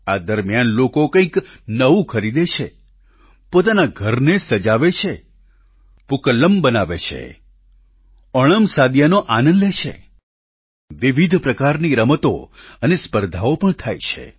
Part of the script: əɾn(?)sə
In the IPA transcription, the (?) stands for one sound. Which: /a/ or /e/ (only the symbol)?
e